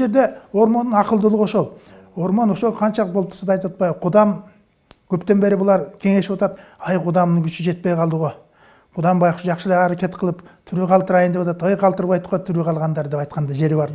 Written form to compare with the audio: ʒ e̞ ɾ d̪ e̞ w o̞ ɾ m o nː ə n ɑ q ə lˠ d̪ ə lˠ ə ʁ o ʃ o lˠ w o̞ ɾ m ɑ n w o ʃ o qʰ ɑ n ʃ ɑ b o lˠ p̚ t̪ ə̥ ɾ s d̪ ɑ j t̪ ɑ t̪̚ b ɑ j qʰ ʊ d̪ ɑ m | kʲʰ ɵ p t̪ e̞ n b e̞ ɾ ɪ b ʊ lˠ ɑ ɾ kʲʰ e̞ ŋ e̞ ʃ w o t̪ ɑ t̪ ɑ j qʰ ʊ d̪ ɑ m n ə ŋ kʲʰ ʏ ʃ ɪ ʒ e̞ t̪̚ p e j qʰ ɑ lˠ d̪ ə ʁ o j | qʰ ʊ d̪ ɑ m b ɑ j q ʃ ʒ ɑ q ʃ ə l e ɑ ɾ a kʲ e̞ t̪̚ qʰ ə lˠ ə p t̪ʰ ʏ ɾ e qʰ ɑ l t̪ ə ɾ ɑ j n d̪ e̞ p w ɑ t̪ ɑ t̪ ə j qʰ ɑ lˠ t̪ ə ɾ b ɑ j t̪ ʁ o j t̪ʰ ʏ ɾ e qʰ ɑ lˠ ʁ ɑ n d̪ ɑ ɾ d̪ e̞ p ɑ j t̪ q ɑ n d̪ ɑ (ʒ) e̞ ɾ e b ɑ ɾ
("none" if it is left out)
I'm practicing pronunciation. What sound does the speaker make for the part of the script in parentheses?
ʒ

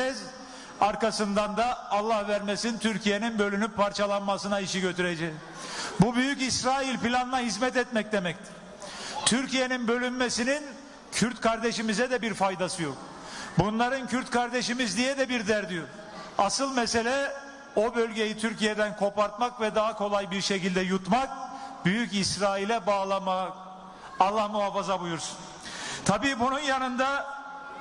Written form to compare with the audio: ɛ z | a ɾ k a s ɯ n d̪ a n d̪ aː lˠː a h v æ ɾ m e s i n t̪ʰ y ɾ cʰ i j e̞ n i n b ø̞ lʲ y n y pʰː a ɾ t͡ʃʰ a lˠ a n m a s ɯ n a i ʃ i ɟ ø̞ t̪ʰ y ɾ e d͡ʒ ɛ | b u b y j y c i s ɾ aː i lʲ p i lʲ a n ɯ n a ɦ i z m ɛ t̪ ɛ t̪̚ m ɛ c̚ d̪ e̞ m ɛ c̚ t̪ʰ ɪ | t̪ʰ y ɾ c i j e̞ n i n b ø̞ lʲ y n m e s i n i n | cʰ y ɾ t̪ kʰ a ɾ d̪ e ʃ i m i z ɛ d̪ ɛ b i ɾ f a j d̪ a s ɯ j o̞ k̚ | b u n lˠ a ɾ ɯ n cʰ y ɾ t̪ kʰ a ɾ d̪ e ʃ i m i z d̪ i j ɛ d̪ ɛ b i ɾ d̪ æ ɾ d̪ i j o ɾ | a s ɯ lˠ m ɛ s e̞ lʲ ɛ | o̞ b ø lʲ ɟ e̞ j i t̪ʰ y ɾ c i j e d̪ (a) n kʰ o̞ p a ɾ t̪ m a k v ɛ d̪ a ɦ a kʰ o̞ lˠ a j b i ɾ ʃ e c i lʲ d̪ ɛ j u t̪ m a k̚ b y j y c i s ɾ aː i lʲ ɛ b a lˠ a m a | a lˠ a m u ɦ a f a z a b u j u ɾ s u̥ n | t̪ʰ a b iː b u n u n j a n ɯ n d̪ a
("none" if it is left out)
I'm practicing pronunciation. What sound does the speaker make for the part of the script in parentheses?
æ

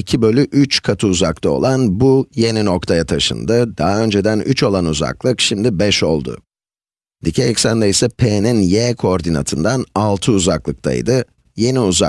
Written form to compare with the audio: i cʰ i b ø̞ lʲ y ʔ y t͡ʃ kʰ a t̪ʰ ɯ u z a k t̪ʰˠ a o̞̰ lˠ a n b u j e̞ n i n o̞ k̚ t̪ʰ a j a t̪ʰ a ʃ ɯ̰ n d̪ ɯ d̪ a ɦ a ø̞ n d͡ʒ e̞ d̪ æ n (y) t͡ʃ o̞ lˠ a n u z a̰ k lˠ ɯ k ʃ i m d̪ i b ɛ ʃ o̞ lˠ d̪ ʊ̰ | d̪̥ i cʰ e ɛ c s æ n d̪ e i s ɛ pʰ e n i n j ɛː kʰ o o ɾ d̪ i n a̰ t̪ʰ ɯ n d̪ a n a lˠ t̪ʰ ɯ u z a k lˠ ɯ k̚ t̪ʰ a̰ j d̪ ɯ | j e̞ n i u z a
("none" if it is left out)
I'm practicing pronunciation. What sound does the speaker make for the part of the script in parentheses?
y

